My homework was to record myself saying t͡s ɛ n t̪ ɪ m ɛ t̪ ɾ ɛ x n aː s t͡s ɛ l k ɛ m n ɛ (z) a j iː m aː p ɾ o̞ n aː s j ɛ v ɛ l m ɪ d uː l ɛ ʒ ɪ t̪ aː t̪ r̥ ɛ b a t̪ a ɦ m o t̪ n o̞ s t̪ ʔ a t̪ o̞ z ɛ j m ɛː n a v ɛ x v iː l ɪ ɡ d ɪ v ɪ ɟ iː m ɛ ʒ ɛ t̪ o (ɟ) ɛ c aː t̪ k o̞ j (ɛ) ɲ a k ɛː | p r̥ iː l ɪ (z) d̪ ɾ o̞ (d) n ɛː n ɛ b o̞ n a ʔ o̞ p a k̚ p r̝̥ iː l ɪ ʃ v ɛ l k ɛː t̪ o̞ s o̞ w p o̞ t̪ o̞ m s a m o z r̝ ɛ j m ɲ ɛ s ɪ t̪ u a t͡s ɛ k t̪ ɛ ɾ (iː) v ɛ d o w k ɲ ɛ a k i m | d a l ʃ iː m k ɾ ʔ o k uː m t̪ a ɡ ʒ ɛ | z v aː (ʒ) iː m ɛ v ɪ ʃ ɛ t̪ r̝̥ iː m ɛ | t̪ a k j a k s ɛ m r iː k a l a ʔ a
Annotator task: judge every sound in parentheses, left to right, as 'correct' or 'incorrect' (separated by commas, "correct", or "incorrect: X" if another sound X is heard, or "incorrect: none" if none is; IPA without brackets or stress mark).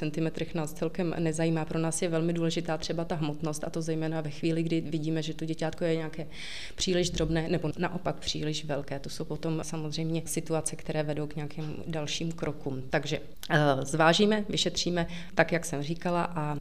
correct, correct, correct, incorrect: ʒ, incorrect: b, incorrect: ɛː, correct